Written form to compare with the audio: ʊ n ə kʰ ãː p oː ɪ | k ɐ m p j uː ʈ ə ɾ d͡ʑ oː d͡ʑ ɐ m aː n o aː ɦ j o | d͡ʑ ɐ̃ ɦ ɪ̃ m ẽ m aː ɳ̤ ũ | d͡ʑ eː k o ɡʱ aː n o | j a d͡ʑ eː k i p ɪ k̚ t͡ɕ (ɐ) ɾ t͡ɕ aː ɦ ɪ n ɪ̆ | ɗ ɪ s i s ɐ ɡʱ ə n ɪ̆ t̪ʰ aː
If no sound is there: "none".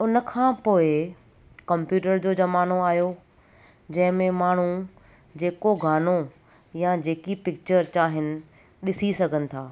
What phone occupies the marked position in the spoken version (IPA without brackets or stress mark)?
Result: ə